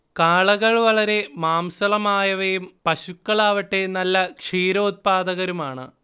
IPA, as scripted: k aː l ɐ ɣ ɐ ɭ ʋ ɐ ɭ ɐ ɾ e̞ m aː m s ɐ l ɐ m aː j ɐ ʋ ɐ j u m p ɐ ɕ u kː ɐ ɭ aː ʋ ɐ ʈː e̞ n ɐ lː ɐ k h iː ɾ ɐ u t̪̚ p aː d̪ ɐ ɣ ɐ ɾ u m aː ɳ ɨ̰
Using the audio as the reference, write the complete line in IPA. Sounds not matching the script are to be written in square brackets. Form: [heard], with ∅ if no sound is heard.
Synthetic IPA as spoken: k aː [ɭ] ɐ ɣ ɐ ɭ ʋ ɐ ɭ ɐ ɾ e̞ m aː m s ɐ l ɐ m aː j ɐ ʋ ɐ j u m p ɐ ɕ u kː ɐ ɭ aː ʋ ɐ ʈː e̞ n ɐ lː ɐ k [ʂ] iː ɾ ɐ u t̪̚ p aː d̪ ɐ ɣ ɐ ɾ u m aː ɳ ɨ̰

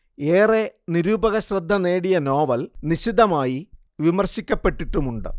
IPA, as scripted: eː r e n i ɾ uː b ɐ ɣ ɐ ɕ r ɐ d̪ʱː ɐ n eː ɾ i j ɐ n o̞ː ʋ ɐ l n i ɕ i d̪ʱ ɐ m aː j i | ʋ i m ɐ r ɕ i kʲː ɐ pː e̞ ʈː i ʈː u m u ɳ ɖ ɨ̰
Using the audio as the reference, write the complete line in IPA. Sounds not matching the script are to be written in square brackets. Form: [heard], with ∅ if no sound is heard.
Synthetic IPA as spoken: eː r e n i ɾ uː b ɐ ɣ ɐ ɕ r ɐ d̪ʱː ɐ n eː [ɽ] i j ɐ n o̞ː ʋ ɐ l n i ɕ i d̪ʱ ɐ m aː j i | ʋ i m ɐ r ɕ i kʲː ɐ pː e̞ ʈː i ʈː u m u ɳ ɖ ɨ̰

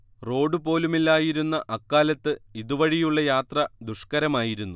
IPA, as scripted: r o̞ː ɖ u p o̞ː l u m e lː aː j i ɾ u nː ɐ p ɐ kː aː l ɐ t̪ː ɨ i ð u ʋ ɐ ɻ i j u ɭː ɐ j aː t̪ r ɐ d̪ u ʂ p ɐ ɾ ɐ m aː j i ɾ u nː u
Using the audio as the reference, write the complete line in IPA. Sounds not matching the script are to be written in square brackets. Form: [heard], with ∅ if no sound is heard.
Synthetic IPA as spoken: r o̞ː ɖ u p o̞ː l u m [i] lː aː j i ɾ u nː ɐ [ʔ] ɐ kː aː l ɐ t̪ː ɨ i ð u ʋ ɐ ɻ i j u ɭː ɐ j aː t̪ r ɐ d̪ u ʂ [k] ɐ ɾ ɐ m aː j i ɾ u nː u

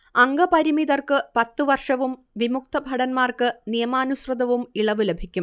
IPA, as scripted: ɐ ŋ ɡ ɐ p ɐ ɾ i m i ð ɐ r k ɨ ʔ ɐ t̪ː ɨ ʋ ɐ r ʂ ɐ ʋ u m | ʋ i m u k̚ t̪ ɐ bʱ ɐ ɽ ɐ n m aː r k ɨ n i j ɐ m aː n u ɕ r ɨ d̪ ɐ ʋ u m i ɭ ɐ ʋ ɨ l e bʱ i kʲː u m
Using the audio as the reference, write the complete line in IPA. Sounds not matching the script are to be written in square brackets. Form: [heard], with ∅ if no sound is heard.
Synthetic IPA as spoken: ɐ ŋ ɡ ɐ p ɐ ɾ i m i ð ɐ r k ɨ [p] ɐ t̪ː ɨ ʋ ɐ r ʂ ɐ ʋ u m | ʋ i m u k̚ t̪ ɐ bʱ ɐ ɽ ɐ n m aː r k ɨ n i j ɐ m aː n u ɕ r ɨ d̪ ɐ ʋ u m i ɭ ɐ ʋ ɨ l e bʱ i kʲː u m

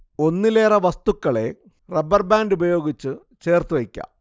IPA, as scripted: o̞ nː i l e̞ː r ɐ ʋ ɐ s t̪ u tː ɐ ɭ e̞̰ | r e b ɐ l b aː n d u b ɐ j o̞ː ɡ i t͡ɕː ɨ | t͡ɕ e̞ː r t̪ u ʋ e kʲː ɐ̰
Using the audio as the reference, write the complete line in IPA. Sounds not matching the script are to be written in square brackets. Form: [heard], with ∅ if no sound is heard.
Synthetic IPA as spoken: o̞ nː i l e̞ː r ɐ ʋ ɐ s t̪ u [kː] ɐ ɭ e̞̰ | r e b ɐ [r] b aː n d u b ɐ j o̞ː ɡ i t͡ɕː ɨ | t͡ɕ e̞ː r t̪ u ʋ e kʲː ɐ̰

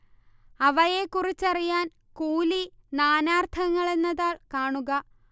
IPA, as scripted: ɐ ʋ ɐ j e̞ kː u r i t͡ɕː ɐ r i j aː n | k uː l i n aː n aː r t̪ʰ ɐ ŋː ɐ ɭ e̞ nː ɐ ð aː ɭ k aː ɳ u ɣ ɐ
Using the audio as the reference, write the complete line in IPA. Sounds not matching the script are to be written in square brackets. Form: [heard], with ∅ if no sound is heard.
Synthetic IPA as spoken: ɐ ʋ ɐ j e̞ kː u r i t͡ɕː ɐ r i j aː n | k uː l i n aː n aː r t̪ʰ ɐ ŋː ɐ ɭ e̞ nː ɐ ð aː ɭ k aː ɳ u ɣ ɐ

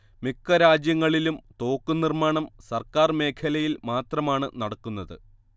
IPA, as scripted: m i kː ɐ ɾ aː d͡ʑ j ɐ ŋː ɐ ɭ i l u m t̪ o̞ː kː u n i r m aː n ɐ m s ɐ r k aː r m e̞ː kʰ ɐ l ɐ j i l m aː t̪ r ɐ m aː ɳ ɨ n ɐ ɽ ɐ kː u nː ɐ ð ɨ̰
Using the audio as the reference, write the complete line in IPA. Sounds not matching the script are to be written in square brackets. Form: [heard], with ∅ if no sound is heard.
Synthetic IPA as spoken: m i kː ɐ ɾ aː d͡ʑ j ɐ ŋː ɐ ɭ i l u m t̪ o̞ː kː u n i r m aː [ɳ] ɐ m s ɐ r k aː r m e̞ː kʰ ɐ l ɐ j i l m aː t̪ r ɐ m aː ɳ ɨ n ɐ ɽ ɐ kː u nː ɐ ð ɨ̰

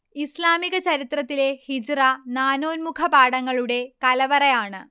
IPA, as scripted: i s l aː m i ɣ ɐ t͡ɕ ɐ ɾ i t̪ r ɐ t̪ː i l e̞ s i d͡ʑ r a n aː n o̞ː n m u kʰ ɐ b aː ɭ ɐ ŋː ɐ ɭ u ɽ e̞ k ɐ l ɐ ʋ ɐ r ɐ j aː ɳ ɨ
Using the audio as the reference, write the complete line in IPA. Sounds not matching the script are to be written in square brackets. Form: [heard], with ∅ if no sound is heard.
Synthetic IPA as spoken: i s l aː m i ɣ ɐ t͡ɕ ɐ ɾ i t̪ r ɐ t̪ː i l e̞ [h] i d͡ʑ r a n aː n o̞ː n m u kʰ ɐ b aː [ɽ] ɐ ŋː ɐ ɭ u ɽ e̞ k ɐ l ɐ ʋ ɐ r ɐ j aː ɳ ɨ

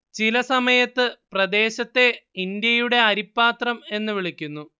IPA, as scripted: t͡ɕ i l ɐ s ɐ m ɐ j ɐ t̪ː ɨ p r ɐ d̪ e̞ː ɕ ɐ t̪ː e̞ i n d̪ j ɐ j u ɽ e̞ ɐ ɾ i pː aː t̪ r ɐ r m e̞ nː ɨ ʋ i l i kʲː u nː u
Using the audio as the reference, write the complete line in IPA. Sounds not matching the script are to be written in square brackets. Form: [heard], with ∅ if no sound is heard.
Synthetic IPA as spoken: t͡ɕ i l ɐ s ɐ m ɐ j ɐ t̪ː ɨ p r ɐ d̪ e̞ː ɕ ɐ t̪ː e̞ i n d̪ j ɐ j u ɽ e̞ ɐ ɾ i pː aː t̪ r ɐ [∅] m e̞ nː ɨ ʋ i [ɭ] i kʲː u nː u

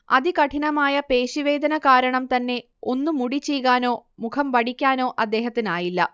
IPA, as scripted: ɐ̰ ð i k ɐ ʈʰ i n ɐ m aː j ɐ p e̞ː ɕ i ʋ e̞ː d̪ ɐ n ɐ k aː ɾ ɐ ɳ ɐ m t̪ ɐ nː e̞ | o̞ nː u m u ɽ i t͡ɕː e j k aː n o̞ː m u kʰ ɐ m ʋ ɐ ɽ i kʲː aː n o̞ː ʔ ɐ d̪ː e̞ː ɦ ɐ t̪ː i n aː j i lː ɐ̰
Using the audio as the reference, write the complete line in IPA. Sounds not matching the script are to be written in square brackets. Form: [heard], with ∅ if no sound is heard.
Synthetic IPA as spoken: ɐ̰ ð i k ɐ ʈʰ i n ɐ m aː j ɐ p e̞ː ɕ i ʋ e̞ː d̪ ɐ n ɐ k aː ɾ ɐ ɳ ɐ m t̪ ɐ nː e̞ | o̞ nː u m u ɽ i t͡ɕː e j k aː n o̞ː m u kʰ ɐ m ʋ ɐ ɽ i kʲː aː n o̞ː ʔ ɐ d̪ː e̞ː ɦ ɐ t̪ː i n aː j i lː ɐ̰

